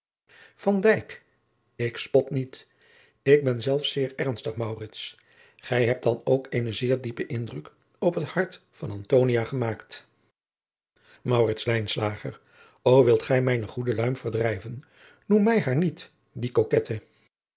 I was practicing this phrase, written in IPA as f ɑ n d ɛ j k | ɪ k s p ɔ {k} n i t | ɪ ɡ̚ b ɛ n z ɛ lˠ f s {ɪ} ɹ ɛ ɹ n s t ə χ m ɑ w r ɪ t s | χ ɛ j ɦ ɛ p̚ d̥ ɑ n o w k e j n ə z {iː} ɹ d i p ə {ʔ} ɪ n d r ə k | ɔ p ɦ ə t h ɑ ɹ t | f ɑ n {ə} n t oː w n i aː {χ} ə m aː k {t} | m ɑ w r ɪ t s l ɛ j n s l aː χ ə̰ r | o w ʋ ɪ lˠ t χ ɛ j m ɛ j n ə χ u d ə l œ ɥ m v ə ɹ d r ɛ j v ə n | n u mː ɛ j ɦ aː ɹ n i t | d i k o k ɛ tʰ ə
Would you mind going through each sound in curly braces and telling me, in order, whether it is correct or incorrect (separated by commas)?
incorrect, incorrect, incorrect, correct, incorrect, correct, correct